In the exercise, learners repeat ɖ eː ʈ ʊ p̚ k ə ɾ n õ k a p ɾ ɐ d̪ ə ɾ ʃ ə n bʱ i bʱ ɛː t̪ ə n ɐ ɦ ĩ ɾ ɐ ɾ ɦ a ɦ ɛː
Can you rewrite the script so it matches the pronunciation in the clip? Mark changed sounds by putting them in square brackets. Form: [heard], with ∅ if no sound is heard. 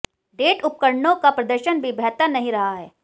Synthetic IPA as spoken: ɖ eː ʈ ʊ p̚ k ə ɾ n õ k a p ɾ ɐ d̪ ə ɾ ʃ ə n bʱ i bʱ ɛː t̪ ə n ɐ ɦ ĩ ɾ ɐ [∅] ɦ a ɦ ɛː